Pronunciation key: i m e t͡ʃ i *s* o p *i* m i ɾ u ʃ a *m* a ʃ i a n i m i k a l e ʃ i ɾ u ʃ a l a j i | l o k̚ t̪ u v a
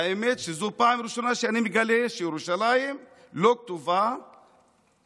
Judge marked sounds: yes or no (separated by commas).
no, no, no